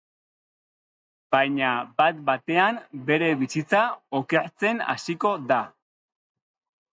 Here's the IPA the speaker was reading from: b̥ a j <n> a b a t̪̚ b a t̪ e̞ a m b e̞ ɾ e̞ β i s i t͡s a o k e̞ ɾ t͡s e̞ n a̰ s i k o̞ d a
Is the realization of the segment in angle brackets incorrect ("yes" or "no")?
yes